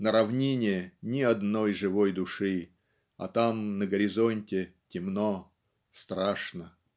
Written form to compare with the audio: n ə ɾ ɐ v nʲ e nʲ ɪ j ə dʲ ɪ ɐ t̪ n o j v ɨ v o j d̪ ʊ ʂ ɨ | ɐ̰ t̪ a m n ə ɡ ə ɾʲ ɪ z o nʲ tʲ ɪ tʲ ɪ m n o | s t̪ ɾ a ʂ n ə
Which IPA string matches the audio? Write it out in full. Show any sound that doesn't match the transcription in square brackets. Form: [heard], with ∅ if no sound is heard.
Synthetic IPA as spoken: n ə ɾ ɐ v nʲ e nʲ ɪ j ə [nʲ] ɪ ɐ [d̪] n o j [ʐ] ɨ v o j d̪ ʊ ʂ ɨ | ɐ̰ t̪ a m n ə ɡ ə ɾʲ ɪ z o nʲ tʲ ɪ tʲ ɪ m n o | s t̪ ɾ a ʂ n ə